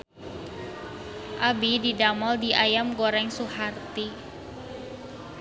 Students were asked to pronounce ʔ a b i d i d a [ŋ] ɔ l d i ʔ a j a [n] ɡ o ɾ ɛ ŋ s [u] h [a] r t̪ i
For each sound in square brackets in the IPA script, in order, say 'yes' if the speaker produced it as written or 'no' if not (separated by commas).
no, no, yes, yes